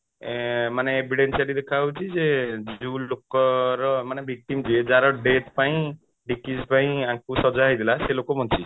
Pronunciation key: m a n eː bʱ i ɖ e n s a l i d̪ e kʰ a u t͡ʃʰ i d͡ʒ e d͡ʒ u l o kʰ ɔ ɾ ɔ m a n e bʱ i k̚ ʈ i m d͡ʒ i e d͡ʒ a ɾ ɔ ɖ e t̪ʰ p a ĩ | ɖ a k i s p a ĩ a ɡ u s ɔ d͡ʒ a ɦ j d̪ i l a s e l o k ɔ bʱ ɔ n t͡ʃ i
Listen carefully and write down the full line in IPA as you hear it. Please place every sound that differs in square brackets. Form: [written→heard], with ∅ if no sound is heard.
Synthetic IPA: m a n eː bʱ i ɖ e n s a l i d̪ e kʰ a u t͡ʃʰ i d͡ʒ e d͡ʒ u l o [kʰ→k] ɔ ɾ ɔ m a n e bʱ i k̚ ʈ i m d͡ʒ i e d͡ʒ a ɾ ɔ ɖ e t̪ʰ p a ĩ | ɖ [a→i] k i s p a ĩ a [ɡ→k] u s ɔ d͡ʒ a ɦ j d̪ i l a s e l o k ɔ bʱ ɔ n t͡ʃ i